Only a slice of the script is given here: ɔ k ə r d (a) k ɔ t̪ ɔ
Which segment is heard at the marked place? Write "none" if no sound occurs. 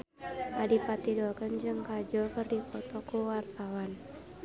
i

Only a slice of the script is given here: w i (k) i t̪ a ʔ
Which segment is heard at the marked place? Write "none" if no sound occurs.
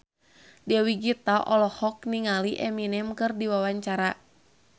ɡ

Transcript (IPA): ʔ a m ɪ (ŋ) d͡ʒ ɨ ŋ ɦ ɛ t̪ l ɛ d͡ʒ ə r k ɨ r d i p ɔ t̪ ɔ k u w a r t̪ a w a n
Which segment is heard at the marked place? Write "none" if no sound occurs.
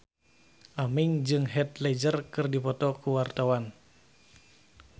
ŋ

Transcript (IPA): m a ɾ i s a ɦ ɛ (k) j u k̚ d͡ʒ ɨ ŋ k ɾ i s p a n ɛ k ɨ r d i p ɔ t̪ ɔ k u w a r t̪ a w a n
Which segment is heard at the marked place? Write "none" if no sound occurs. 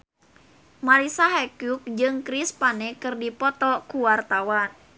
k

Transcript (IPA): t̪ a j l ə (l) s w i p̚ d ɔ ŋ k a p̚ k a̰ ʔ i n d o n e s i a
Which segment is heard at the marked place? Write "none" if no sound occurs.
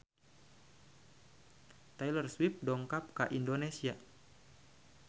r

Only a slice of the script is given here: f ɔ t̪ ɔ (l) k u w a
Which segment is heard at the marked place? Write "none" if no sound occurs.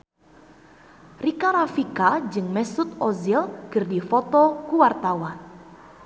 none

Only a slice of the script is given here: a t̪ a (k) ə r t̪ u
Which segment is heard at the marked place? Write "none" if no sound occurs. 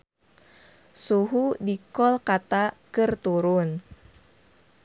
k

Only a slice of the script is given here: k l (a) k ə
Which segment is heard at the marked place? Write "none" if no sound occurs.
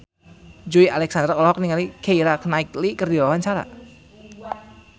i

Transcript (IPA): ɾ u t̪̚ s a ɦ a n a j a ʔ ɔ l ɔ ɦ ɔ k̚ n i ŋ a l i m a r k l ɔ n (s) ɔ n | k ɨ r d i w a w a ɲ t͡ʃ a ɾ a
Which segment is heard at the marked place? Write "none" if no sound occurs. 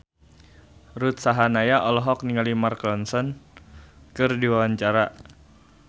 s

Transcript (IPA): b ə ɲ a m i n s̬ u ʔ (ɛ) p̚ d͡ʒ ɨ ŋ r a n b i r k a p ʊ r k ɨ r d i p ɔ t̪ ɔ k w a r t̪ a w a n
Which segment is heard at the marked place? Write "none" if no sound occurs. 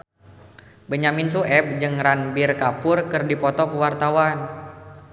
ɛ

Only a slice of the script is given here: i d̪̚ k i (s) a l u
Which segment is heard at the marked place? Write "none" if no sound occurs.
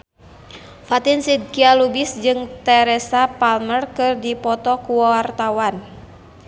none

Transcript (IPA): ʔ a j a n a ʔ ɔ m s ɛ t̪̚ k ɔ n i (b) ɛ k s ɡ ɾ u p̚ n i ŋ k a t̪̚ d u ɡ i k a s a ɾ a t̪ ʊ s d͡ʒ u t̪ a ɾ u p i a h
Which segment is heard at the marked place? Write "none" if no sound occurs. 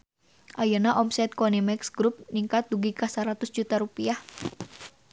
m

